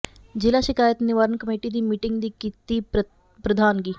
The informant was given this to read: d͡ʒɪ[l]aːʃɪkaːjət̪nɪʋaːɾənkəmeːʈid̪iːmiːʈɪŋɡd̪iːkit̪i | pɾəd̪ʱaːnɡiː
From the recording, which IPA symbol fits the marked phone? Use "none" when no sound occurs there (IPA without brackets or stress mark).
l